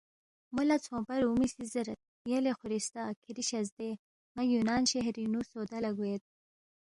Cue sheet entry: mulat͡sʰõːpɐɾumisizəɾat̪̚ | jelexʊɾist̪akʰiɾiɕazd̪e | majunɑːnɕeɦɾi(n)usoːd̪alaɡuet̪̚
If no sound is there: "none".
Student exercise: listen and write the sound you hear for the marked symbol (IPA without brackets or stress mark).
n